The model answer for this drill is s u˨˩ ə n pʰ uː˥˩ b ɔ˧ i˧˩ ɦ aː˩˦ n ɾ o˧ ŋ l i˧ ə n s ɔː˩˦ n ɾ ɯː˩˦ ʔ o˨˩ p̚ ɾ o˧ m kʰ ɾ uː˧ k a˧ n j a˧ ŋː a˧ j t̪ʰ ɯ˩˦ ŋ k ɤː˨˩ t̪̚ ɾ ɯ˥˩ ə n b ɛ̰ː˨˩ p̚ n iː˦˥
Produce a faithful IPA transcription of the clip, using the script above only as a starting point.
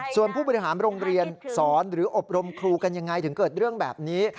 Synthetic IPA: s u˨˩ ə n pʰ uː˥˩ b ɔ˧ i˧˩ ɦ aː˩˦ n ɾ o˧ ŋ ɾ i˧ ə n s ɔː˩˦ n ɾ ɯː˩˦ ʔ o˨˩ p̚ ɾ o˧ m kʰ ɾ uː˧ k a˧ n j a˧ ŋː a˧ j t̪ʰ ɯ˩˦ ŋ k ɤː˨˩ t̪̚ ɾ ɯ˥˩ ə ŋ b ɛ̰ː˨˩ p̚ n iː˦˥